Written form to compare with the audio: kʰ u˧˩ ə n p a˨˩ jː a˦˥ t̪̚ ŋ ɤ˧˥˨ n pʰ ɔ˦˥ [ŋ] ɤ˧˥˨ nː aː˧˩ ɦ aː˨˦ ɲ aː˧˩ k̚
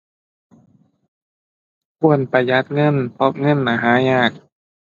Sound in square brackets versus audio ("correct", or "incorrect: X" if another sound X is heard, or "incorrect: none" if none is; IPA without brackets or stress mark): correct